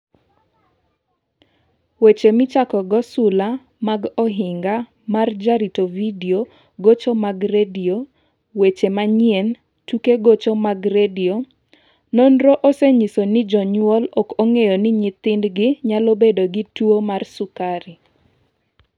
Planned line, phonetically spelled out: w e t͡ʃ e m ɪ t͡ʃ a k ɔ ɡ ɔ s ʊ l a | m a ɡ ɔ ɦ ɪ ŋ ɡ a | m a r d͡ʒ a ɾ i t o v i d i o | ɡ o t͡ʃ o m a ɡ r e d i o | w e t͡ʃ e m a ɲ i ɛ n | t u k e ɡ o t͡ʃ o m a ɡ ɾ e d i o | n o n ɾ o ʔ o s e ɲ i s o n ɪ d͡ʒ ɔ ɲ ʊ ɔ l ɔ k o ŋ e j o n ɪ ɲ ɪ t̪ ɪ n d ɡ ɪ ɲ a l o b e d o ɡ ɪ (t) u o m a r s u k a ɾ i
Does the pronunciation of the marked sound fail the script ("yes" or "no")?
no